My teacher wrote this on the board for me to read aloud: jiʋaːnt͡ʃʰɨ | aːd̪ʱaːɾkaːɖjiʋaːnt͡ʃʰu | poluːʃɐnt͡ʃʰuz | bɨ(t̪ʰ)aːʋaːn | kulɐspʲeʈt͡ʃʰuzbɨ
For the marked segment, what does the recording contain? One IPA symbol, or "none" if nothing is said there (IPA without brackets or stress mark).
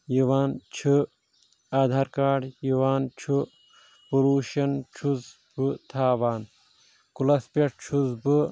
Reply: t̪ʰ